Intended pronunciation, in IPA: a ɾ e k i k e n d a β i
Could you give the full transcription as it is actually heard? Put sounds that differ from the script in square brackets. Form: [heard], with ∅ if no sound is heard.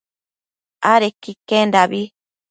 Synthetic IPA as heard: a ɾ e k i k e n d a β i